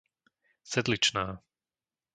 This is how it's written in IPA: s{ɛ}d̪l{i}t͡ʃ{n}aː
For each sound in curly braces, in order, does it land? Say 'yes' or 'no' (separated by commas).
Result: yes, yes, yes